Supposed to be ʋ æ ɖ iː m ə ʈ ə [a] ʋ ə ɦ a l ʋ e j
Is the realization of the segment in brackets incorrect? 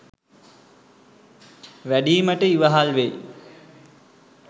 yes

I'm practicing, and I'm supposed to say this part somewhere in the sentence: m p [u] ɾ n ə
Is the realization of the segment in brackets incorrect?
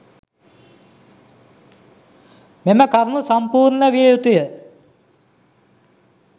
yes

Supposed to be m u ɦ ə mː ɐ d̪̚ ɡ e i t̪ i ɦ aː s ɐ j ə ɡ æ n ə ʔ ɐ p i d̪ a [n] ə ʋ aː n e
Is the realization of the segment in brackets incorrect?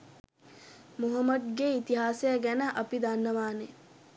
yes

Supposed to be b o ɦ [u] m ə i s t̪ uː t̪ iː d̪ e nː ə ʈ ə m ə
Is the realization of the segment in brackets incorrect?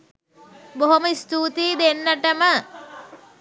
yes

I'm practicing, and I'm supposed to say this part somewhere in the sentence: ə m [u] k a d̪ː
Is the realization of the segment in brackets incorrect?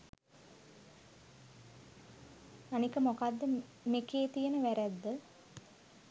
yes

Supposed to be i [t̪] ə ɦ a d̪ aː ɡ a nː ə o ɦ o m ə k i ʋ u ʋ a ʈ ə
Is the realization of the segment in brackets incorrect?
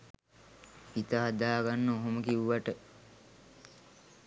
no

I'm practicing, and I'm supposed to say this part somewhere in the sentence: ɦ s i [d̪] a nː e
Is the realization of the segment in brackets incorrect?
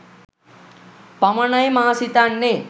yes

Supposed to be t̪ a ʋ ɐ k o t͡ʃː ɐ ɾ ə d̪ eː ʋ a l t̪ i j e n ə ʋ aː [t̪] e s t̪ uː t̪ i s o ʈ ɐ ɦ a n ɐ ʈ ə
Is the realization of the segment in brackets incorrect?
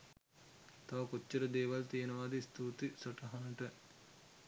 yes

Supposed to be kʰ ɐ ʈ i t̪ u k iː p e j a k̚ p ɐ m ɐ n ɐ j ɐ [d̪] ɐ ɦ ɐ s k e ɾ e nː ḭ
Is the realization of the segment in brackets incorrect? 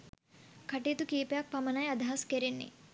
no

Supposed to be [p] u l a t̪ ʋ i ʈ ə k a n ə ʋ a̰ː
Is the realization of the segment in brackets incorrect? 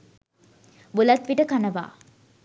yes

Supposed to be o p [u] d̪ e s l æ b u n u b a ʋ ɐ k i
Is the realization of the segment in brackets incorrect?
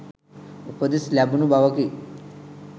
yes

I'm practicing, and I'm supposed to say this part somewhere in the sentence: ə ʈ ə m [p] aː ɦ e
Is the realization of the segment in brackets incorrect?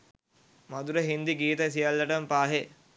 no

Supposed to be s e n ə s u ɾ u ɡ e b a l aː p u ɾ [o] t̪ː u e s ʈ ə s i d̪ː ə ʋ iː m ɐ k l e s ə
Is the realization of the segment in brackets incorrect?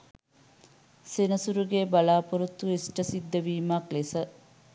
yes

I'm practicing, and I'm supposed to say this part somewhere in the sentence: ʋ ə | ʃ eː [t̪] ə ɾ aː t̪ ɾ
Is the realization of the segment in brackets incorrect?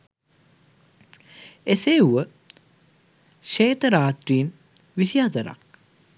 no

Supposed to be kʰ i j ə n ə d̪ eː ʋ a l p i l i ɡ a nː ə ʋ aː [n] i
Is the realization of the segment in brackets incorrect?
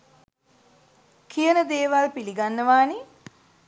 no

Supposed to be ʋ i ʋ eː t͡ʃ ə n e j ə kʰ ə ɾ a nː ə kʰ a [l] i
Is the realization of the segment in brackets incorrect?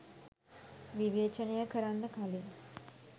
no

